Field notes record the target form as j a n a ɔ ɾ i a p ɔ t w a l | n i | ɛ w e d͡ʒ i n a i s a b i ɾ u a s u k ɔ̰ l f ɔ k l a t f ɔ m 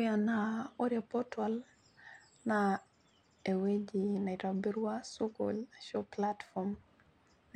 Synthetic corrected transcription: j a n a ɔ ɾ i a p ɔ t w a l | n a | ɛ w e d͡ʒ i n a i t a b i ɾ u a s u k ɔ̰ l ʃ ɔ p l a t f ɔ m